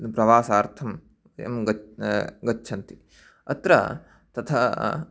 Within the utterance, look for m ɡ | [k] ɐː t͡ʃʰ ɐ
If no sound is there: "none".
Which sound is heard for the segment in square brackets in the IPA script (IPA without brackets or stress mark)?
ɡ